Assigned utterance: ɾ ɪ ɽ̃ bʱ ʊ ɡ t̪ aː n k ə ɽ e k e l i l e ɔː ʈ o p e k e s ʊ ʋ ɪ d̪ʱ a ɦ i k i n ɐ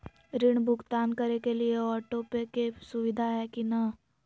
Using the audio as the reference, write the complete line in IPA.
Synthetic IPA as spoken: ɾ ɪ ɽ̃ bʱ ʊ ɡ t̪ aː n k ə ɾ e k e l i e ɔː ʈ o p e k e s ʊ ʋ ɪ d̪ʱ a ɦ ɛ k i n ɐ